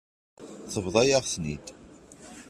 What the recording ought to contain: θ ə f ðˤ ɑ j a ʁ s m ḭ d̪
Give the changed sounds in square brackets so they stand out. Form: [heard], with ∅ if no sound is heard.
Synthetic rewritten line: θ ə [v] ðˤ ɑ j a ʁ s [n] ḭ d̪